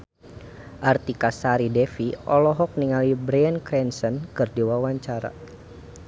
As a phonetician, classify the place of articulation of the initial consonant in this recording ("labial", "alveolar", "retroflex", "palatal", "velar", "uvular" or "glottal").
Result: glottal